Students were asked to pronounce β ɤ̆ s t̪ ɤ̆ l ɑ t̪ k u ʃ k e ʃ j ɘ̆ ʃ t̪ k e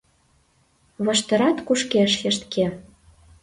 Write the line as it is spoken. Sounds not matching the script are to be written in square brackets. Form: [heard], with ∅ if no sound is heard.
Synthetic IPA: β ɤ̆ [ʃ] t̪ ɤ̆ [ɾ] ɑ t̪ k u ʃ k e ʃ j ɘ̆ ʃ t̪ k e